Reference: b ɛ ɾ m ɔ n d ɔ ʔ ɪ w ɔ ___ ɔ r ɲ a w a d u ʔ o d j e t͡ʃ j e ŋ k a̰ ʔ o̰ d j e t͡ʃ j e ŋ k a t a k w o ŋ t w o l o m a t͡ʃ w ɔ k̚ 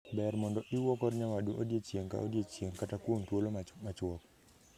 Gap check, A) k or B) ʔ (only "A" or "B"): A